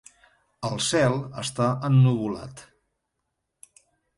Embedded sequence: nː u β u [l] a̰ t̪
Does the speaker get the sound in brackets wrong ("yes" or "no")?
no